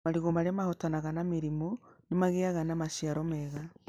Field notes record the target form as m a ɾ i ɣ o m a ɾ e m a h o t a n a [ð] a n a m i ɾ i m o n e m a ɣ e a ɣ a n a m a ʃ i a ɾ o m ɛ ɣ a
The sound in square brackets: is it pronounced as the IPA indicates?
no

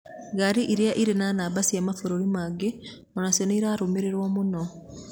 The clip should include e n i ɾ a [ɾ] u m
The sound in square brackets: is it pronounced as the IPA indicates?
yes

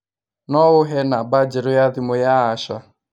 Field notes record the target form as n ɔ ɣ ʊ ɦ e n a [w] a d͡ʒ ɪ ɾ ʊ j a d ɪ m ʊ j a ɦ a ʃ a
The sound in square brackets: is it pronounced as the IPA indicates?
no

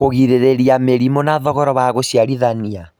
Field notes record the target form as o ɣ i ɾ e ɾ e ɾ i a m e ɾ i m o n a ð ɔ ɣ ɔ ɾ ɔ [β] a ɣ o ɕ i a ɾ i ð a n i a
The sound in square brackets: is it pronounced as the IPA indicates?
yes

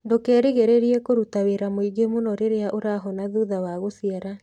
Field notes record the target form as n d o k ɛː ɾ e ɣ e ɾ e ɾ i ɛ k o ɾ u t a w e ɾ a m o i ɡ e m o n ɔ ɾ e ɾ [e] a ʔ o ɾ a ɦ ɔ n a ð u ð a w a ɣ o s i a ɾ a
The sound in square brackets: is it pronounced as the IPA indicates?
yes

